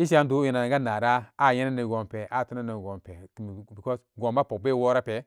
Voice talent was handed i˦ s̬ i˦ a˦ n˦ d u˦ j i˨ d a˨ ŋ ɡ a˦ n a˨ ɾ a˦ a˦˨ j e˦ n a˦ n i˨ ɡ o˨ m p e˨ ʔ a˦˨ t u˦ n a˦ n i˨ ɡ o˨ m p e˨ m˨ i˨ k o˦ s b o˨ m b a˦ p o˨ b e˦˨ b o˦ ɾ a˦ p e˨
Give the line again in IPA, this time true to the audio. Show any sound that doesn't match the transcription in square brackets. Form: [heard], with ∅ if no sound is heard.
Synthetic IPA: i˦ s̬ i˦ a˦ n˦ d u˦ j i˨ [n] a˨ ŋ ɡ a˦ n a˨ ɾ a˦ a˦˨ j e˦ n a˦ n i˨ ɡ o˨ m p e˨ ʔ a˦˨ t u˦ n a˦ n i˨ ɡ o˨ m p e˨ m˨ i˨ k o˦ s [ɡ] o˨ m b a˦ p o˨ b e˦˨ [w] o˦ ɾ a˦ p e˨